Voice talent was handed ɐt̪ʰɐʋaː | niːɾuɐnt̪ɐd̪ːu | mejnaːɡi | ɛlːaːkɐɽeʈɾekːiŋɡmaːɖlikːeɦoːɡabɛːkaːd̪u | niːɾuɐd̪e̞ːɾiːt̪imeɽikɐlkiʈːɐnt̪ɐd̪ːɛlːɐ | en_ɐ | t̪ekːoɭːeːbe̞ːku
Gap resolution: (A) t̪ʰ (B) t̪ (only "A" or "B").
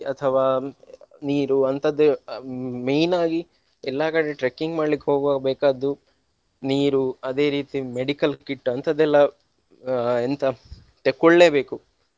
B